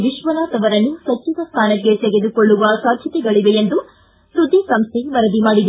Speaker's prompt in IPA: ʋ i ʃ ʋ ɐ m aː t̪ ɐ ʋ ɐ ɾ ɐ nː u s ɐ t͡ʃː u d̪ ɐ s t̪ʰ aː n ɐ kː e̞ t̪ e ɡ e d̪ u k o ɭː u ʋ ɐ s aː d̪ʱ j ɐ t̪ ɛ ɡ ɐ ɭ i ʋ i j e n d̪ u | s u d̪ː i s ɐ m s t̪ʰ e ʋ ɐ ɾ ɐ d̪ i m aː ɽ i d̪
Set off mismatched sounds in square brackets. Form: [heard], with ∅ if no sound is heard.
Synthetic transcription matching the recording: ʋ i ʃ ʋ ɐ [n] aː t̪ ɐ ʋ ɐ ɾ ɐ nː u s ɐ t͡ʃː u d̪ ɐ s t̪ʰ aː n ɐ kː e̞ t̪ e ɡ e d̪ u k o ɭː u ʋ ɐ s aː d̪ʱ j ɐ t̪ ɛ ɡ ɐ ɭ i ʋ [e] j e n d̪ u | s u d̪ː i s ɐ m s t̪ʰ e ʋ ɐ ɾ ɐ d̪ i m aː ɽ i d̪